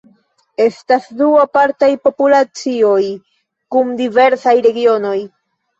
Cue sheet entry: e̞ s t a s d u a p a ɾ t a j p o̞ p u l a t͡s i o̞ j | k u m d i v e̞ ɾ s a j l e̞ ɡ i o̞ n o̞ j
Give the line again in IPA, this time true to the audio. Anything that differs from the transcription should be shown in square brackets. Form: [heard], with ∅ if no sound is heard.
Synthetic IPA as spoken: e̞ s t a s d u a p a ɾ t a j p o̞ p u l a t͡s i o̞ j | k u m d i v e̞ ɾ s a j [ɾ] e̞ ɡ i o̞ n o̞ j